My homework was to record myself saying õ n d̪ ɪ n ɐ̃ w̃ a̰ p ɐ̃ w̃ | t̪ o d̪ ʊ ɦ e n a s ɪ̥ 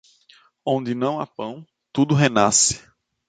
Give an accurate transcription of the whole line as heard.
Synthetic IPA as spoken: õ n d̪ ɪ n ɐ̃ w̃ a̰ p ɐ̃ w̃ | t̪ u d̪ ʊ ɦ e n a s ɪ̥